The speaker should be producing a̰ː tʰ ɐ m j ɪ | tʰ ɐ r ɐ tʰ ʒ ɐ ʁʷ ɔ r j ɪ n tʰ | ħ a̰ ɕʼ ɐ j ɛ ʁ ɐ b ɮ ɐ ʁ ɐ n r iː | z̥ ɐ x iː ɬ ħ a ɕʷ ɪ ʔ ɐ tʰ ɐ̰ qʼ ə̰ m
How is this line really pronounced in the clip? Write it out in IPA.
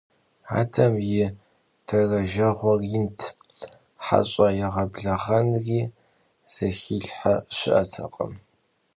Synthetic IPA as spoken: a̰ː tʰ ɐ m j ɪ | tʰ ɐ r ɐ ʒ ɐ ʁʷ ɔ r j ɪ n tʰ | ħ a̰ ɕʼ ɐ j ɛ ʁ ɐ b ɮ ɐ ʁ ɐ n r iː | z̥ ɐ x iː ɬ ħ a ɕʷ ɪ ʔ ɐ tʰ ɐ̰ qʼ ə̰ m